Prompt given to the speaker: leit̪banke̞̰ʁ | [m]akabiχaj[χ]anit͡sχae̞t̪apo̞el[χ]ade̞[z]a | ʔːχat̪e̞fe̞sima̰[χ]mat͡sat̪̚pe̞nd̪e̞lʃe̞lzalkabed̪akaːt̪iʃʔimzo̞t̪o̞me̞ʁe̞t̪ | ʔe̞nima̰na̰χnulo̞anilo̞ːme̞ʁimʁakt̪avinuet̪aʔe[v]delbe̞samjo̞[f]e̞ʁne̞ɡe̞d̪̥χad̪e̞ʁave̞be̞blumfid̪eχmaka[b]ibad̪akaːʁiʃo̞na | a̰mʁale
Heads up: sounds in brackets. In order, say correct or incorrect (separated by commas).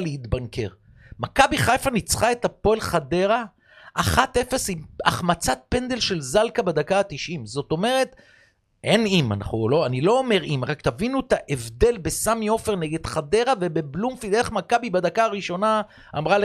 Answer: correct, incorrect, correct, incorrect, correct, correct, correct, correct